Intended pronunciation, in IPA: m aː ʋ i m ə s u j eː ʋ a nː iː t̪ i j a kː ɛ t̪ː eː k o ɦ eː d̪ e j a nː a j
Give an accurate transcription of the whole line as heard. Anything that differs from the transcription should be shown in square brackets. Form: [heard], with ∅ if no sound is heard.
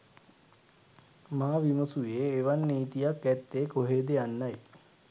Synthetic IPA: m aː ʋ i m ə s u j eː ʋ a nː iː t̪ i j a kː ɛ t̪ː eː k o ɦ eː d̪ e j a nː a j